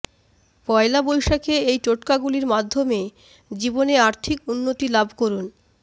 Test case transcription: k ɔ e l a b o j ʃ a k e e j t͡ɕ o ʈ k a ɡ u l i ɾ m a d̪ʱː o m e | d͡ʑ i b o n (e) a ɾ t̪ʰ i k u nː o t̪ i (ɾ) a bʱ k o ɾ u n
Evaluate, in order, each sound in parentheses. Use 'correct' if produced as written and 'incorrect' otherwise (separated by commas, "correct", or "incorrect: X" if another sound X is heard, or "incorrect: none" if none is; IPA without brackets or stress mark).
correct, incorrect: l